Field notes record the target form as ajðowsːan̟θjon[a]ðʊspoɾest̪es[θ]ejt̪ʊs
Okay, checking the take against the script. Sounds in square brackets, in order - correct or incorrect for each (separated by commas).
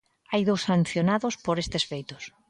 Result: correct, incorrect